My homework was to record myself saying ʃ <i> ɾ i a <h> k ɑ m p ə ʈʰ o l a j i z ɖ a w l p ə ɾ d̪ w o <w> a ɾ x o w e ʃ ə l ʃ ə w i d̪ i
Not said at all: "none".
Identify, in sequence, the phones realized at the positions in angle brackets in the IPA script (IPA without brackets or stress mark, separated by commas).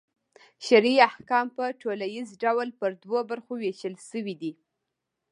a, h, b